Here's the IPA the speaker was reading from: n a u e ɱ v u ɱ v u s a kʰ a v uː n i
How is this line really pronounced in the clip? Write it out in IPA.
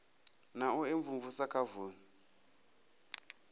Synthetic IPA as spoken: n a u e ɱ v u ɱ v u s a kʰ a v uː n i